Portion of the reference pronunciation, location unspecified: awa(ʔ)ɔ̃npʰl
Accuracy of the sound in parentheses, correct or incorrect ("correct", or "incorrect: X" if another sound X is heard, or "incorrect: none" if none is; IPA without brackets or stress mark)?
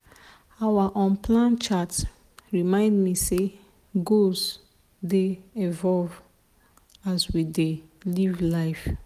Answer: correct